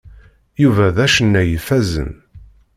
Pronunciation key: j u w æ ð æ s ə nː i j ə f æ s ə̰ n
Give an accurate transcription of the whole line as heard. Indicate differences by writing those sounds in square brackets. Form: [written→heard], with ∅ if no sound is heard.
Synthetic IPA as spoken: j u [w→v] æ ð æ [s→ʃ] ə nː [i→æ] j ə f æ [s→z] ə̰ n